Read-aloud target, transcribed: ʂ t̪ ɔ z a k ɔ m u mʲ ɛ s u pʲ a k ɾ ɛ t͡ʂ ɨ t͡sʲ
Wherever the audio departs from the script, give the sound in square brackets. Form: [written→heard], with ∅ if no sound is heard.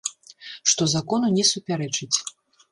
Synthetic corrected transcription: ʂ t̪ ɔ z a k ɔ [m→n] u [mʲ→nʲ] ɛ s u pʲ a [k→∅] ɾ ɛ t͡ʂ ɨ t͡sʲ